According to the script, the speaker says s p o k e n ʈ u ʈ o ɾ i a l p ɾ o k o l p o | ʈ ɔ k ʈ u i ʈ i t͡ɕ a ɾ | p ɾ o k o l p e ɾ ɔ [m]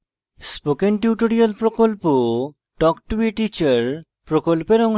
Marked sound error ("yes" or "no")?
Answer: yes